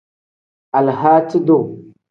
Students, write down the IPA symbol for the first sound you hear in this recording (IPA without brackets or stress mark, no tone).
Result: a